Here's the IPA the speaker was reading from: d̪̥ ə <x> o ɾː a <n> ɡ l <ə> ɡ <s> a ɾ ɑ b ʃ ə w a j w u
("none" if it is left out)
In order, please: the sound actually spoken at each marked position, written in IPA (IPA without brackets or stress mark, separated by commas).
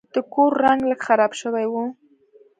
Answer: k, ŋ, ə, x